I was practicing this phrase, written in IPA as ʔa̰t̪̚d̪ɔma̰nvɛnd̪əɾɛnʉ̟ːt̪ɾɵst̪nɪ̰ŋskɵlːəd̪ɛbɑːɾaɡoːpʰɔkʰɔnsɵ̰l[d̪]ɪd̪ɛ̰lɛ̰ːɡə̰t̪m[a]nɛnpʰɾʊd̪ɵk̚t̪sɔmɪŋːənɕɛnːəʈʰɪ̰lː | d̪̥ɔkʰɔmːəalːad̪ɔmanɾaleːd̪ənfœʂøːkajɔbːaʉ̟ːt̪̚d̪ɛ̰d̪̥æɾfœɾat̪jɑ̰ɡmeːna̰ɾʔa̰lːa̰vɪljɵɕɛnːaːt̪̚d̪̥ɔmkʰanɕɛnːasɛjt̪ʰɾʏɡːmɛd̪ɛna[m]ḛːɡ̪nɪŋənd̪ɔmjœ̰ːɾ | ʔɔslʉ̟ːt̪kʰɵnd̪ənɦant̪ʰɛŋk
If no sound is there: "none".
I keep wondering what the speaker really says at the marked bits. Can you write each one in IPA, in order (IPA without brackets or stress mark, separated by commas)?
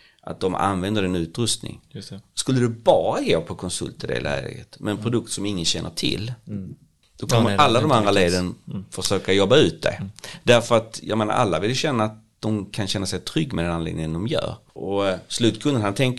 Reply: t̪, ɛ, n